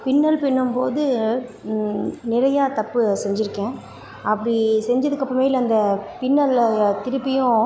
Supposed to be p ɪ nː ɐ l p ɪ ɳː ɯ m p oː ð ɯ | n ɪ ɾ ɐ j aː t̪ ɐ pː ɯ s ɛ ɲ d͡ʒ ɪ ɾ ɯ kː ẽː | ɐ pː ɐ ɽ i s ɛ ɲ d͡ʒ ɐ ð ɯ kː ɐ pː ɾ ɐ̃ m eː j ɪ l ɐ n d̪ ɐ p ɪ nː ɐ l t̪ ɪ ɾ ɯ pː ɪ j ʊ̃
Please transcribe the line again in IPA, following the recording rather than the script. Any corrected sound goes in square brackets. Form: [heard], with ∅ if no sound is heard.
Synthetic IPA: p ɪ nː ɐ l p ɪ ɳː ɯ m p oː ð ɯ | n ɪ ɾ ɐ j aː t̪ ɐ pː ɯ s ɛ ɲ d͡ʒ ɪ ɾ ɯ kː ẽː | ɐ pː ɐ ɽ i s ɛ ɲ d͡ʒ ɐ ð ɯ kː ɐ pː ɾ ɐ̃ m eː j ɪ l ɐ n d̪ ɐ p ɪ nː ɐ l t̪ ɪ ɾ ɯ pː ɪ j ʊ̃